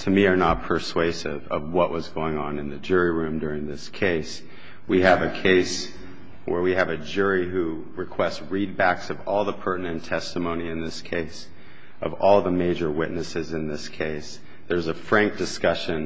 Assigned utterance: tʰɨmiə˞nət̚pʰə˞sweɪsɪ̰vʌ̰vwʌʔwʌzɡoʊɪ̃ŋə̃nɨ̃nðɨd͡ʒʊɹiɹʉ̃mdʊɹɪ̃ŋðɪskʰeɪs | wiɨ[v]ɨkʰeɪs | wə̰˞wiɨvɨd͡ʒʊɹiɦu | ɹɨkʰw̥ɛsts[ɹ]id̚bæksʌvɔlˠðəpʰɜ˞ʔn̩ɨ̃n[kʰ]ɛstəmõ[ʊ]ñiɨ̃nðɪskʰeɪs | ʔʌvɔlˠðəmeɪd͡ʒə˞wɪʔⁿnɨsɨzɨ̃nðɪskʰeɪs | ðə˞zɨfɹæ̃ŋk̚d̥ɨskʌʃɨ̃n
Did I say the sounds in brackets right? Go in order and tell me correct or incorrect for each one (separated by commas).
correct, correct, incorrect, incorrect